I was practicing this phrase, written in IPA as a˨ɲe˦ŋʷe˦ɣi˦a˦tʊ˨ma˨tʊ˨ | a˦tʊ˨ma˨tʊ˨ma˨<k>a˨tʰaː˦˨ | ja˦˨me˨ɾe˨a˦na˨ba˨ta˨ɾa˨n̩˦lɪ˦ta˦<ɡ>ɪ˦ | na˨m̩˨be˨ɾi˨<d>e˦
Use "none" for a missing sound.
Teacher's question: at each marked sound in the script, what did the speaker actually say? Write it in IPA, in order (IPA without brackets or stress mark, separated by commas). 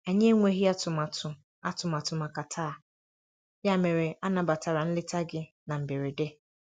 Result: k, ɡ, d